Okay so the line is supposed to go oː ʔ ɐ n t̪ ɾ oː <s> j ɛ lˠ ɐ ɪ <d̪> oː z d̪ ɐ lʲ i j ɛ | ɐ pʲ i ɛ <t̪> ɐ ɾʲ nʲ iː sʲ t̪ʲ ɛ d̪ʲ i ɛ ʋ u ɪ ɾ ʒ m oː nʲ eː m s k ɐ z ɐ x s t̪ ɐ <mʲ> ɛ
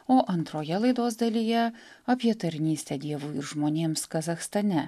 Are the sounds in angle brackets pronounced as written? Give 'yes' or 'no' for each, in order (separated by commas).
no, yes, yes, no